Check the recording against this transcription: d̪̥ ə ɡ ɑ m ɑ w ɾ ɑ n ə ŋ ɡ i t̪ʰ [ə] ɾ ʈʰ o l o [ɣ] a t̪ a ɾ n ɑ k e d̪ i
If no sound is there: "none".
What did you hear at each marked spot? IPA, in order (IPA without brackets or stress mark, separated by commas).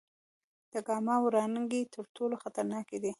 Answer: ə, x